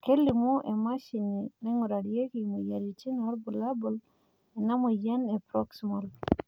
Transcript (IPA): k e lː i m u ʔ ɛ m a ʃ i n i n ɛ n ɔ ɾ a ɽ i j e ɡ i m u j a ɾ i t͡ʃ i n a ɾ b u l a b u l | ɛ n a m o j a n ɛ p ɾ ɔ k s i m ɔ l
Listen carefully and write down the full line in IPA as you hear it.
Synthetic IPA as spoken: k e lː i m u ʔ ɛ m a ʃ i n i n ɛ ŋ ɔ ɾ a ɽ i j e k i m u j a ɾ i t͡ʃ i n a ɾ b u l a b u l | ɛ n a m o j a n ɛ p ɾ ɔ k s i m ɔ l